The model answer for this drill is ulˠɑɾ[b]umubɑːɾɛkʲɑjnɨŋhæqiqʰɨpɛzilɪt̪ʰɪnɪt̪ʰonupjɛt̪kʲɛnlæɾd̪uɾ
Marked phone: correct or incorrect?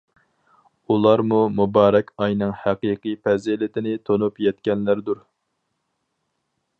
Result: incorrect